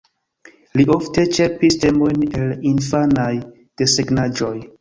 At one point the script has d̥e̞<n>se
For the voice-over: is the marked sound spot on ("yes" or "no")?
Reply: no